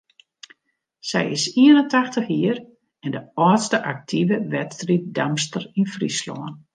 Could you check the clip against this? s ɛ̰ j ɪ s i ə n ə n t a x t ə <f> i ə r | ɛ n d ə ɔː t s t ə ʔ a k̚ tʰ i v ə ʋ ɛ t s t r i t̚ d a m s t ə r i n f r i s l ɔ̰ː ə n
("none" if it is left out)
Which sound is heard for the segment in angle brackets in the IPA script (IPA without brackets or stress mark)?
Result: x